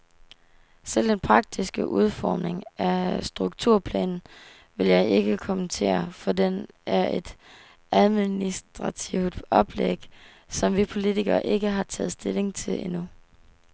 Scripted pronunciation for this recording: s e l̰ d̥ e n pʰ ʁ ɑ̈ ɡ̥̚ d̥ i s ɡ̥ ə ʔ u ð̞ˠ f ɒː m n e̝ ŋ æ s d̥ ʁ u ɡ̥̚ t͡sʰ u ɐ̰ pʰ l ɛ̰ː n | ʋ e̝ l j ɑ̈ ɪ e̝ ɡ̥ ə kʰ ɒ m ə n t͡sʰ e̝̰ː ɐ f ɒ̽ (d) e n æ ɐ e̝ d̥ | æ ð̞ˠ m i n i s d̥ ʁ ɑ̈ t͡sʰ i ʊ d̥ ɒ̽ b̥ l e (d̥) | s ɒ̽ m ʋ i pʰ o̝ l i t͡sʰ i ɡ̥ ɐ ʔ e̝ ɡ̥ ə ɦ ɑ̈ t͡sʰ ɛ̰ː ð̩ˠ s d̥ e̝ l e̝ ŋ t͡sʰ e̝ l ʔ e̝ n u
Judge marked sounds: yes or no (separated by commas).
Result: yes, no